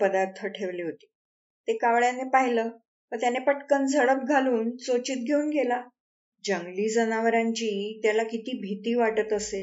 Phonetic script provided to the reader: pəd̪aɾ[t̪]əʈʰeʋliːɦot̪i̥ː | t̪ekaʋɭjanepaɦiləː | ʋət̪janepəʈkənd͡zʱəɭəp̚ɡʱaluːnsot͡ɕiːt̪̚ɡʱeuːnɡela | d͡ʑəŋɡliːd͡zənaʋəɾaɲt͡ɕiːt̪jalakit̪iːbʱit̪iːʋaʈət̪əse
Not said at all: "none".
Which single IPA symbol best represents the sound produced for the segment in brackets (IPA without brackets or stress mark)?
t̪ʰ